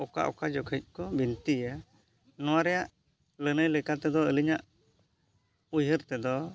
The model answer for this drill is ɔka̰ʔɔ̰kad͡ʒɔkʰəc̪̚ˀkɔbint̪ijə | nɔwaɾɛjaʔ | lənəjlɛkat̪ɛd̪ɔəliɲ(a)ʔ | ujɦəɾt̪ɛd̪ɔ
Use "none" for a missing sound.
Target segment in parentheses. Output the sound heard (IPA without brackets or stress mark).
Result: a